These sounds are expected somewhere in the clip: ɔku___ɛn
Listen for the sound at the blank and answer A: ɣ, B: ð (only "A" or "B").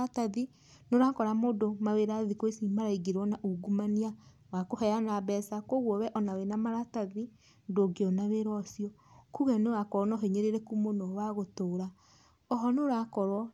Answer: A